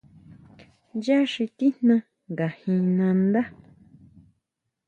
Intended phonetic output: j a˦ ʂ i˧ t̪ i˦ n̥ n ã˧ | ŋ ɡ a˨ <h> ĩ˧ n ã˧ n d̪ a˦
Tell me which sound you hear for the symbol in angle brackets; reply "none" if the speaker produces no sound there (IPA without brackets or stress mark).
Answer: h